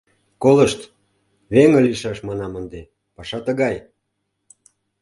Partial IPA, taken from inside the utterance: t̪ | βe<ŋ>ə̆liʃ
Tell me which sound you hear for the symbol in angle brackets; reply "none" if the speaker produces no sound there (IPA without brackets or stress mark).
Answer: ŋ